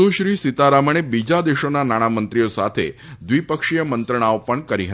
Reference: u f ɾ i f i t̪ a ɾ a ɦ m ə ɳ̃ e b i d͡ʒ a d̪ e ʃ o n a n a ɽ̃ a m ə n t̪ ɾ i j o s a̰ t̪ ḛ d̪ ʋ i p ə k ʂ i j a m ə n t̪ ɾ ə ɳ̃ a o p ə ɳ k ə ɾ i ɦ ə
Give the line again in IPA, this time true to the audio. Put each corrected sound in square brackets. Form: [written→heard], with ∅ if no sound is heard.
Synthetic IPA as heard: u [f→ʃ] ɾ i [f→s] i t̪ a ɾ a [ɦ→∅] m ə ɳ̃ e b i d͡ʒ a d̪ e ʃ o n a n a ɽ̃ a m ə n t̪ ɾ i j o s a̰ [t̪→t̪ʰ] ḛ d̪ ʋ i p ə k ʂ i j [a→ə] m ə n t̪ ɾ ə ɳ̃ a o p ə ɳ k ə ɾ i ɦ ə